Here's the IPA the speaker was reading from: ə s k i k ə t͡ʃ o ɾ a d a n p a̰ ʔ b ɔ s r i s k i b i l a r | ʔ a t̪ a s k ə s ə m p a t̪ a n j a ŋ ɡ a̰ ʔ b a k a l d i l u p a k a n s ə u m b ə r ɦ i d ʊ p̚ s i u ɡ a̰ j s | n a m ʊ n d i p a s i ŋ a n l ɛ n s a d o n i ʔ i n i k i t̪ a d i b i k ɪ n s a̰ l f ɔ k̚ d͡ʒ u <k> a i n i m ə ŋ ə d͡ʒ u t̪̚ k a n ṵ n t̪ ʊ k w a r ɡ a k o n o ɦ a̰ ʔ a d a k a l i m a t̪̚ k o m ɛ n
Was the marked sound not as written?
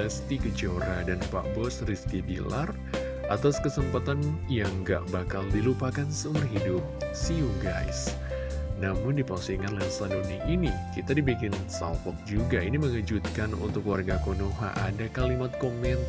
yes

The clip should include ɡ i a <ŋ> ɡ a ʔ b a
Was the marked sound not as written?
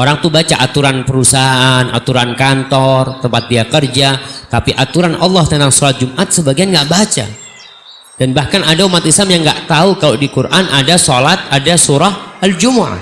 yes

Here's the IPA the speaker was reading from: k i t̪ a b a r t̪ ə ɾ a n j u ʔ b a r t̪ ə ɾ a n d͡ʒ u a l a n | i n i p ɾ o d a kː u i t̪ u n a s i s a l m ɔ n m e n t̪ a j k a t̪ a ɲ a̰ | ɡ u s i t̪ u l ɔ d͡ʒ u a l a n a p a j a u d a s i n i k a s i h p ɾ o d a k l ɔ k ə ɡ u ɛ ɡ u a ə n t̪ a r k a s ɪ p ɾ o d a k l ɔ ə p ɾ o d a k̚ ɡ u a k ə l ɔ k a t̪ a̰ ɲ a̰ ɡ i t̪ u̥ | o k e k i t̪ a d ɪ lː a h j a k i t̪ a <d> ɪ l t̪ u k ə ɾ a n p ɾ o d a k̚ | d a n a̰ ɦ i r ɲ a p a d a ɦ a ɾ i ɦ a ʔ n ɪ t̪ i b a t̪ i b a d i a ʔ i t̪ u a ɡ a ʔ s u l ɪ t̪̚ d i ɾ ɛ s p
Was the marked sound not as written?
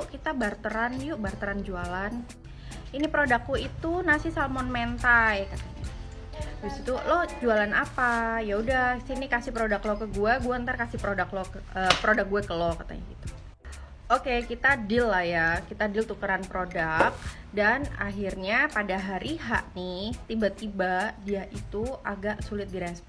no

